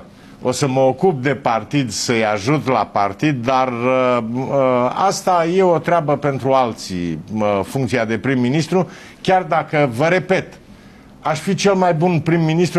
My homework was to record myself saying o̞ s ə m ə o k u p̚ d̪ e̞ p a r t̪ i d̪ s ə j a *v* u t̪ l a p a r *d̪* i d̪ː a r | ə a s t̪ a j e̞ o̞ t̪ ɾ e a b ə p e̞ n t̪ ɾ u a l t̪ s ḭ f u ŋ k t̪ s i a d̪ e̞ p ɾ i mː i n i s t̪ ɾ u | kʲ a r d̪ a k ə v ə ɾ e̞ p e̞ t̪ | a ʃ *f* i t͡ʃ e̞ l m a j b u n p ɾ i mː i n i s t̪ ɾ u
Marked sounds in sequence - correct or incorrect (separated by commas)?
incorrect, incorrect, correct